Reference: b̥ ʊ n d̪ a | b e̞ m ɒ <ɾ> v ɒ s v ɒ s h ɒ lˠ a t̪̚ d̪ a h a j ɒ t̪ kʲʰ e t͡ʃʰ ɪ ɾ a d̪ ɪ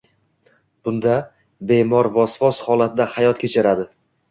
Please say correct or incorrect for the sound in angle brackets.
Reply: correct